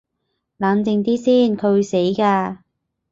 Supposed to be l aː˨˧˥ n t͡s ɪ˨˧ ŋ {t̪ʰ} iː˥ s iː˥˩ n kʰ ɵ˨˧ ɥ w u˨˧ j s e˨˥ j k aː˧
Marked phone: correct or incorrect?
incorrect